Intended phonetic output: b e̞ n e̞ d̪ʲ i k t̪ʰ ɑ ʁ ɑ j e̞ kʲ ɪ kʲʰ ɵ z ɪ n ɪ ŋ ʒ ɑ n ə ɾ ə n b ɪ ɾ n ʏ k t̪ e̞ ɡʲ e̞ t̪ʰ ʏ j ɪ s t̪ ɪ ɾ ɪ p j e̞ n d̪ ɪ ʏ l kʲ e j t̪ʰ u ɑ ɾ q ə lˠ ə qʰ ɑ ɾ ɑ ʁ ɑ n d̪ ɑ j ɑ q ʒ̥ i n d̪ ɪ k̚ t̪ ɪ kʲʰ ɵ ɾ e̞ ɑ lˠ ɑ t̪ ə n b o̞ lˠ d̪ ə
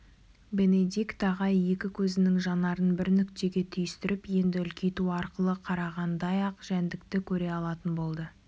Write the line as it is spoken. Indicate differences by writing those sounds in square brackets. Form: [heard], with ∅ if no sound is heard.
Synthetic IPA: b e̞ n e̞ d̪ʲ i k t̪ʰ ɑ ʁ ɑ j e̞ kʲ ɪ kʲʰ ɵ z ɪ n ɪ ŋ ʒ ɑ n [ɑ] ɾ ə n b ɪ ɾ n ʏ k t̪ e̞ ɡʲ e̞ t̪ʰ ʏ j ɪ s t̪ ɪ ɾ ɪ p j e̞ n d̪ ɪ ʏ l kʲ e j [t̪] u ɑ ɾ q ə lˠ ə qʰ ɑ ɾ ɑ ʁ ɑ n d̪ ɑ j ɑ q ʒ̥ [æ] n d̪ ɪ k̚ t̪ ɪ kʲʰ ɵ ɾ e̞ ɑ lˠ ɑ t̪ ə n b o̞ lˠ d̪ ə